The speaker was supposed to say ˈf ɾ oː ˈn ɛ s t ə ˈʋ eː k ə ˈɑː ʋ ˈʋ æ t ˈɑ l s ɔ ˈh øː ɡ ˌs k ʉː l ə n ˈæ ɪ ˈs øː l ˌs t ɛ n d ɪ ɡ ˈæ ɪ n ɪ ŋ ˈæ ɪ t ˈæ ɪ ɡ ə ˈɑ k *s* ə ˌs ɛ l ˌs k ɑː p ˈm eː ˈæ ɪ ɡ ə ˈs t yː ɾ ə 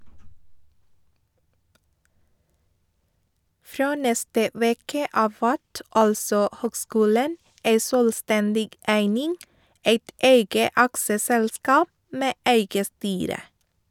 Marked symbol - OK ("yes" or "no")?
yes